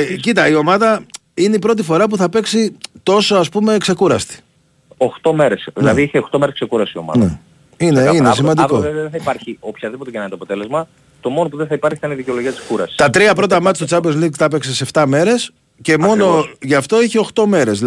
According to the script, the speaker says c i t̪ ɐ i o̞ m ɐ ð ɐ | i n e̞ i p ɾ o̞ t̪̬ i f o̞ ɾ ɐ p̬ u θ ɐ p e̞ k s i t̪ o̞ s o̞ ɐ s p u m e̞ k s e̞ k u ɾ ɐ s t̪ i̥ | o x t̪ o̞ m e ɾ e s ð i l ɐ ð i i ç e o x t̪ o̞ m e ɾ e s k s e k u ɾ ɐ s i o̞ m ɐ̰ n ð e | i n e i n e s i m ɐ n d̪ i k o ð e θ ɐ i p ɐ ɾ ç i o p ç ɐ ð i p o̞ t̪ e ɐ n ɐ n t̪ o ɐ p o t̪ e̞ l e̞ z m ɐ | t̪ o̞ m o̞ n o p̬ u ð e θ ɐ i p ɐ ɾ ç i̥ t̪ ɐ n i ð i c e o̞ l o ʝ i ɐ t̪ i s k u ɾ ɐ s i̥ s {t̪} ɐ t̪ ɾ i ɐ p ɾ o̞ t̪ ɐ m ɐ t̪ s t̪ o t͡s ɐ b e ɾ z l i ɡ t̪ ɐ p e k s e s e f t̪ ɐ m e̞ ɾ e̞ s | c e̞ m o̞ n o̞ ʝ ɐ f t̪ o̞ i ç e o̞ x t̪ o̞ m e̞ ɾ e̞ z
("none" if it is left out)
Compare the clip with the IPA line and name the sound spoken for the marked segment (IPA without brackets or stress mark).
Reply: t̪